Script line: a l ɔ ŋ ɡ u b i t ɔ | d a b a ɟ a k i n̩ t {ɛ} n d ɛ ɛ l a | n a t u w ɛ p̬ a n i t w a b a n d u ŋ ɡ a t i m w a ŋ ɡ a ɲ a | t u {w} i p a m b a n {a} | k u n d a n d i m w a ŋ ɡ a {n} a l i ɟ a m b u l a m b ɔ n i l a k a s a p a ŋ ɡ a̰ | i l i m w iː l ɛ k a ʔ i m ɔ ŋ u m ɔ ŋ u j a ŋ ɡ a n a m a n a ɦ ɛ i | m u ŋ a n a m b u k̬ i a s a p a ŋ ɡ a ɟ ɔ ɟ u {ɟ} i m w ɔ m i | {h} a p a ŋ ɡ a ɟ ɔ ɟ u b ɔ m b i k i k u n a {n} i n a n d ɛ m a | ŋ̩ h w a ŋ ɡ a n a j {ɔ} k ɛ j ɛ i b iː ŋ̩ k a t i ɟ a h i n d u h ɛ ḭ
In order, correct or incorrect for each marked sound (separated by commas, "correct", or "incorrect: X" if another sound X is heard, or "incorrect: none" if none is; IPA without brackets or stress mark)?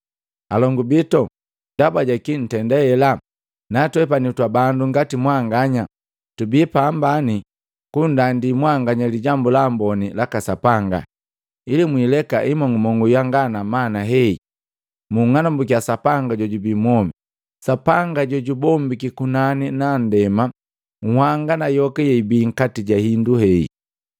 correct, incorrect: b, incorrect: i, incorrect: ɲ, incorrect: b, incorrect: s, correct, correct